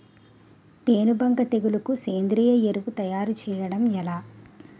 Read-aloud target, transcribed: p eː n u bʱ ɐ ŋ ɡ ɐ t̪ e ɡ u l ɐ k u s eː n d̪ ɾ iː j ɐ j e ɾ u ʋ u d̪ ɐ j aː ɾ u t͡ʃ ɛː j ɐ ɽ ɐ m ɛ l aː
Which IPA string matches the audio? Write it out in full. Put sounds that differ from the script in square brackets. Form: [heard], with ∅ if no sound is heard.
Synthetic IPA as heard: p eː n u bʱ ɐ ŋ ɡ ɐ t̪ e ɡ u l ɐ k u s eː n d̪ ɾ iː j ɐ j e ɾ u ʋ u [t̪] ɐ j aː ɾ u t͡ʃ ɛː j ɐ ɽ ɐ m ɛ l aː